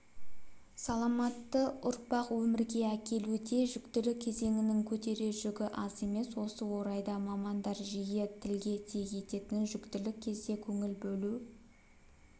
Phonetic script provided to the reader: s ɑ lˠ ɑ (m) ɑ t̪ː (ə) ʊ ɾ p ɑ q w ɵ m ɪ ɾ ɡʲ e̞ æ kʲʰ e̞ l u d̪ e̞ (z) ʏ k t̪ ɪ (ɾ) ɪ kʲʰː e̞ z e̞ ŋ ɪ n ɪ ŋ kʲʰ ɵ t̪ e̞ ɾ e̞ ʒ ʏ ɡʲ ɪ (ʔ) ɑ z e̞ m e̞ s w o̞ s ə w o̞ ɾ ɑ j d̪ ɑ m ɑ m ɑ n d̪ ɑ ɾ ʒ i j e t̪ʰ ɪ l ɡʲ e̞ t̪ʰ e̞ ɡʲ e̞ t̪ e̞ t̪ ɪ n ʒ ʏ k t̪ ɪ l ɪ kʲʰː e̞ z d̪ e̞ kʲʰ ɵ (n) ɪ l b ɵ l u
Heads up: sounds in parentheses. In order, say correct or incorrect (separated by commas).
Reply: correct, correct, incorrect, incorrect, correct, incorrect